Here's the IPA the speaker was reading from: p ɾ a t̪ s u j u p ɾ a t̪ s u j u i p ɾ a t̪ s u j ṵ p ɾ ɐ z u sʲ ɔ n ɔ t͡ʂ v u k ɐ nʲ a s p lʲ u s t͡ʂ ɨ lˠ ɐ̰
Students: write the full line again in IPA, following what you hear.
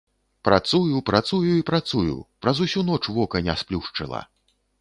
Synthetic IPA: p ɾ a t̪ s u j u p ɾ a t̪ s u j u i p ɾ a t̪ s u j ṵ p ɾ ɐ z u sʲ u n ɔ t͡ʂ v ɔ k ɐ nʲ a s p lʲ u ʂ t͡ʂ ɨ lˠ ɐ̰